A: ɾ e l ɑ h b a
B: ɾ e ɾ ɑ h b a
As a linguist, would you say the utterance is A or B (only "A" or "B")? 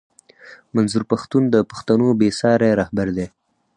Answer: B